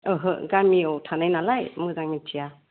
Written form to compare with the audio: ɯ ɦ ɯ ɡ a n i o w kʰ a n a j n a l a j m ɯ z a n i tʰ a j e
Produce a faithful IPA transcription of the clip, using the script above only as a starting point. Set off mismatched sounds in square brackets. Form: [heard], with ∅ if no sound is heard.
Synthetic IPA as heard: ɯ ɦ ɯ ɡ a [m] i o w [tʰ] a n a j n a l a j m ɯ z a [ŋ] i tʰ [i] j [a]